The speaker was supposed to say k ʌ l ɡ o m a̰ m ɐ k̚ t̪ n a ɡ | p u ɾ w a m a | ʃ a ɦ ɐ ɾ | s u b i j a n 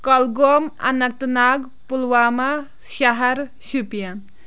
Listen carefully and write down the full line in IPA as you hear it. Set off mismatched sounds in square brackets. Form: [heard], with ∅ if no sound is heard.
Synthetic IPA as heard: k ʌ l ɡ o m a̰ [n] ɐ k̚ t̪ n a ɡ | p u [l] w a m a | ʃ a ɦ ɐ ɾ | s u [p] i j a n